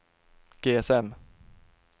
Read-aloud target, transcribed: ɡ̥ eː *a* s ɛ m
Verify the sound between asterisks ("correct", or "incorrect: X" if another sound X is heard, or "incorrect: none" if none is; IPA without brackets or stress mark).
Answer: incorrect: ɛ